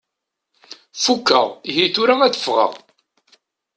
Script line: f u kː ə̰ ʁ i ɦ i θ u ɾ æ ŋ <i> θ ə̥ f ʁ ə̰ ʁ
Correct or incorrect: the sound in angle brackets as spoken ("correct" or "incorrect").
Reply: incorrect